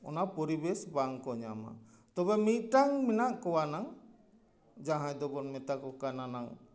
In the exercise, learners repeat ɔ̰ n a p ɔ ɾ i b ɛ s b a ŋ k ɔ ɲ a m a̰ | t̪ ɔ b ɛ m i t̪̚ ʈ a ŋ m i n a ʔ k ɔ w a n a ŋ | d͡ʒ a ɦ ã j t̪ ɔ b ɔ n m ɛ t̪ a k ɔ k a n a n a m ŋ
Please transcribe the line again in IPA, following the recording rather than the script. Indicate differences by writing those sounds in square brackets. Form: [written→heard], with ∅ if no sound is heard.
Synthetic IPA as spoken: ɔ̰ n a p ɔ ɾ i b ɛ s b a ŋ k ɔ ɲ a m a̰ | t̪ ɔ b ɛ m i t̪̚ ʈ a ŋ m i n a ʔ k ɔ w a n a ŋ | d͡ʒ a ɦ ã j [t̪→d̪] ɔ b ɔ n m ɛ t̪ a k ɔ k a n a n a [m→∅] ŋ